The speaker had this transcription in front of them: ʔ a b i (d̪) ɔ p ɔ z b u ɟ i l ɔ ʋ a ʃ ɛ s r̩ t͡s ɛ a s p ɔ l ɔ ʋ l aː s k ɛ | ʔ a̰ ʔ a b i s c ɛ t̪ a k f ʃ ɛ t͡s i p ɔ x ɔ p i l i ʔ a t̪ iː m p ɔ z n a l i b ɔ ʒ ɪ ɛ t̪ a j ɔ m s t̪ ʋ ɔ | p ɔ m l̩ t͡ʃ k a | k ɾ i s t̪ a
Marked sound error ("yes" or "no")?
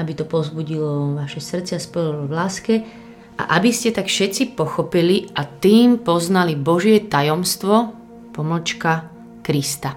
yes